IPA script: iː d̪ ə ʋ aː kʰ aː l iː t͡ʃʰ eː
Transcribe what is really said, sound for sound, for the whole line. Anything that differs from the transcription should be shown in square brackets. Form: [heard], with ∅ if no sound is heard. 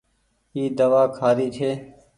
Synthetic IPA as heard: iː d̪ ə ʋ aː kʰ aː [ɾ] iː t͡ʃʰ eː